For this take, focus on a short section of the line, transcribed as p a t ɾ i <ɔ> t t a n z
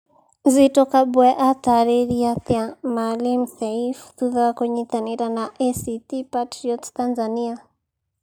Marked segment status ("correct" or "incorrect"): correct